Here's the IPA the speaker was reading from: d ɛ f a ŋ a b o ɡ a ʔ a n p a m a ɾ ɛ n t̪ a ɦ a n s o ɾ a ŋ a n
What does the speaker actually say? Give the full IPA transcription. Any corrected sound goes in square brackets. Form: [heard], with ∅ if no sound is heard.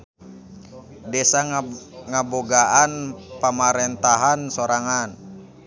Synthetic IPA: d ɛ [s] a ŋ a b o ɡ a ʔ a n p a m a ɾ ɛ n t̪ a ɦ a n s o ɾ a ŋ a n